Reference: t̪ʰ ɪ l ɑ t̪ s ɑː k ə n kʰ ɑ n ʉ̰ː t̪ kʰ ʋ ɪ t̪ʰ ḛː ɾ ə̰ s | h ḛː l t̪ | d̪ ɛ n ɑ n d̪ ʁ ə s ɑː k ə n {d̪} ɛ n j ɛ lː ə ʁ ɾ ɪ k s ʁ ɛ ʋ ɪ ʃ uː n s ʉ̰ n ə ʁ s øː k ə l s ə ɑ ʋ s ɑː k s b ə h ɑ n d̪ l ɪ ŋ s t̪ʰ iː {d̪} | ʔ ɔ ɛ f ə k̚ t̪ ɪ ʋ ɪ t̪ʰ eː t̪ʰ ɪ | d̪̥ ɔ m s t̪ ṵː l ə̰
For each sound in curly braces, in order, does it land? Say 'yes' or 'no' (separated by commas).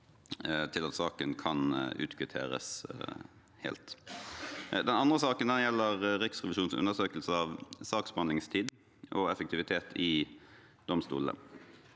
yes, yes